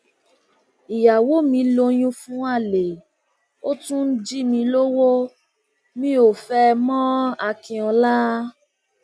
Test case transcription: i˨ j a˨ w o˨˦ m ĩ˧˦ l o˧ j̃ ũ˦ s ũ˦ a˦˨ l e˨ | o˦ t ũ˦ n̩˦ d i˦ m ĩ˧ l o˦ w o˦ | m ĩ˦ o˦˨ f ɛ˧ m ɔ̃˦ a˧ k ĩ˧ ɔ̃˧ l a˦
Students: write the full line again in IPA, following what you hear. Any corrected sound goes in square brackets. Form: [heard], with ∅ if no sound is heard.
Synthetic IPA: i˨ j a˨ w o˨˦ m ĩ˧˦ l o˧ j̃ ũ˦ [f] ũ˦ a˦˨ l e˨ | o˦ t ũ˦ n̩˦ [d͡ʒ] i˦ m ĩ˧ l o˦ w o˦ | m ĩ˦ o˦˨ f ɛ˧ m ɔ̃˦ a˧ k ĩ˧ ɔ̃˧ l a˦